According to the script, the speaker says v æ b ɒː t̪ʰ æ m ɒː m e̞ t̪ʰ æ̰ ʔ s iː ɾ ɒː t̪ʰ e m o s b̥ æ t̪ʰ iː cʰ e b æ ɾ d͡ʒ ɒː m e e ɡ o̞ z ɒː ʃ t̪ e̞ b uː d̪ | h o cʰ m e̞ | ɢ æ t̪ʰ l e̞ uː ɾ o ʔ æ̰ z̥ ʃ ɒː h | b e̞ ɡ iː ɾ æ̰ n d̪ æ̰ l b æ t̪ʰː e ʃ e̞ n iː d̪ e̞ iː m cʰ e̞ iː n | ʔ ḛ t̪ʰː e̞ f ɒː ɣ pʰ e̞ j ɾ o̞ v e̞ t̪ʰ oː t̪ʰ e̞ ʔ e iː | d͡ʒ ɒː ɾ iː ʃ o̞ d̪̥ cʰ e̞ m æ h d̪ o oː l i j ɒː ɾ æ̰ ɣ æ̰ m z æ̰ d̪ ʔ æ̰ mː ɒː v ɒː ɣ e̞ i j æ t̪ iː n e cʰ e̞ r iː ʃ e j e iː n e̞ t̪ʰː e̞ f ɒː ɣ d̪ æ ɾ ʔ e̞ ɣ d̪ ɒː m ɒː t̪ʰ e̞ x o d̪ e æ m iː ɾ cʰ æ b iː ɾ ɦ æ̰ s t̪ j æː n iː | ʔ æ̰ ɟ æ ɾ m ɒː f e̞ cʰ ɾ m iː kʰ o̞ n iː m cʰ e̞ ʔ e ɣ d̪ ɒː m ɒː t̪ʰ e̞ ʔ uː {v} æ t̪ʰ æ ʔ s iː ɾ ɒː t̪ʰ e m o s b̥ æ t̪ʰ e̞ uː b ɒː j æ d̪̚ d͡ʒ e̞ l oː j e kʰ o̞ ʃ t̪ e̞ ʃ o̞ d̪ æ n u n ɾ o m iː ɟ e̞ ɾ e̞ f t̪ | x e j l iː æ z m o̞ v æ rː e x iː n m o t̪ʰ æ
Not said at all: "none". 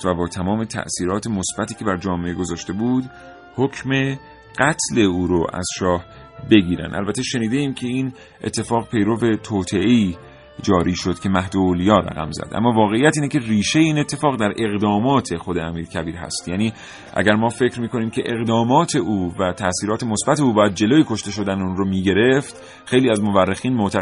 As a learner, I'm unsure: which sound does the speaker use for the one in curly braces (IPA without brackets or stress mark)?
v